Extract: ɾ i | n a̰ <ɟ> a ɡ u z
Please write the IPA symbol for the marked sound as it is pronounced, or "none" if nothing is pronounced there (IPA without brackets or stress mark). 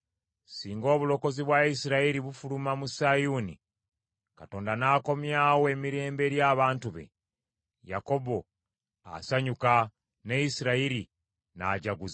ɟ